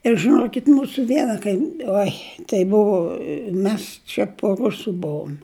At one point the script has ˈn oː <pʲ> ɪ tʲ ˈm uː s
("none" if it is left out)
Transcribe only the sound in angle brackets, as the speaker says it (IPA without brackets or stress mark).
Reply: kʲ